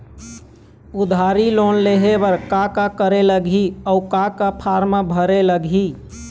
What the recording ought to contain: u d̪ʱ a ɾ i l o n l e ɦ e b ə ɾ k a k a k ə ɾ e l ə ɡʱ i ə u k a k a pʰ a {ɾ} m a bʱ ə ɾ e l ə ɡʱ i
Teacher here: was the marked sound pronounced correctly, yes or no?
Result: yes